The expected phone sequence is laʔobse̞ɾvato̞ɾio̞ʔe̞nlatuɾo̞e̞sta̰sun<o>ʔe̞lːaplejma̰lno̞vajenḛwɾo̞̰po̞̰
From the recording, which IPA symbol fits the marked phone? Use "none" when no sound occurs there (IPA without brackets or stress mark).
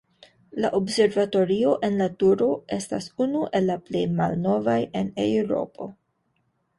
u